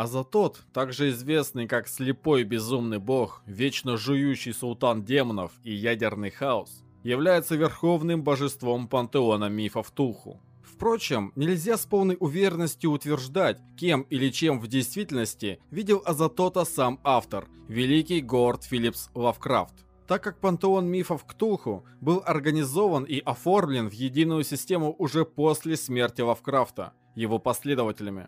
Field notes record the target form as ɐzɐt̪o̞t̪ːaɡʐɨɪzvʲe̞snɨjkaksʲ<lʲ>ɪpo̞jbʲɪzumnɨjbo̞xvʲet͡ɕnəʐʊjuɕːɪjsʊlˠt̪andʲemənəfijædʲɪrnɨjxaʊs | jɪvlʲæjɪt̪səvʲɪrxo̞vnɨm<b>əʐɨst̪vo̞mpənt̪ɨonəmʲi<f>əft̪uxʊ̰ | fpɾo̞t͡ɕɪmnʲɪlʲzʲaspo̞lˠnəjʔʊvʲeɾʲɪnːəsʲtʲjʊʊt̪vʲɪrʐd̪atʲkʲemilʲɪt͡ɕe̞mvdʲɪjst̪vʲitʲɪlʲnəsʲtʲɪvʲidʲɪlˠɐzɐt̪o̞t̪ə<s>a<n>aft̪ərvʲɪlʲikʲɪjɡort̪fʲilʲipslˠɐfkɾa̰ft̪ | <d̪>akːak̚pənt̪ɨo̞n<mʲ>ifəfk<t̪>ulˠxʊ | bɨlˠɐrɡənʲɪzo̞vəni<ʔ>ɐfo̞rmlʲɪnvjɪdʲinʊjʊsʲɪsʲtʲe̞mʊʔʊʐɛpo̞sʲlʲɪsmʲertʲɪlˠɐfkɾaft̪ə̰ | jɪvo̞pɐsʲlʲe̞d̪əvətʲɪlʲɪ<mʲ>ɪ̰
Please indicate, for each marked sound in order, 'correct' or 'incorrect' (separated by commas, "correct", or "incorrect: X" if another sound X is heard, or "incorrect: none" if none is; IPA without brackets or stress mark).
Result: correct, correct, correct, correct, incorrect: m, incorrect: t̪, correct, correct, correct, correct